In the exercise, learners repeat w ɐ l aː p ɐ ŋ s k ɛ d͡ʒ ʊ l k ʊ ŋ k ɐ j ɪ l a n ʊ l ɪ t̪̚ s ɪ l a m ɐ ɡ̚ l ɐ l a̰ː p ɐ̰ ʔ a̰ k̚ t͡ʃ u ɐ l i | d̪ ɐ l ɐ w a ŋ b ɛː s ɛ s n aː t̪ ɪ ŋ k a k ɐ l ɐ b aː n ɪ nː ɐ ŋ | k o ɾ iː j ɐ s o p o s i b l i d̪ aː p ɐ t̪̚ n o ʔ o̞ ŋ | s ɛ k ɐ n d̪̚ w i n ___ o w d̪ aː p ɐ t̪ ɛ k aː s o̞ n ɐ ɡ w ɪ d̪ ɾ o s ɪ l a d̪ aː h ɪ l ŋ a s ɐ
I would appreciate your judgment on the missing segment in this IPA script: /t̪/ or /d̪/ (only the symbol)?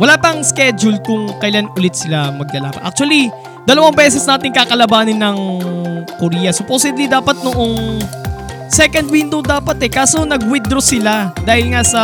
d̪